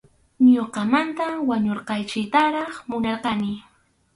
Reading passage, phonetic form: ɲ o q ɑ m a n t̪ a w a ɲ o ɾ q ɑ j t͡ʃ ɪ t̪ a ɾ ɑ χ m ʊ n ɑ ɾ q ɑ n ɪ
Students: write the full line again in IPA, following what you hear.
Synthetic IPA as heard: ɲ o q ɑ m a n t̪ a w a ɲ o ɾ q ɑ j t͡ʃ ɪ t̪ a ɾ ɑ χ m ʊ n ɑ ɾ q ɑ n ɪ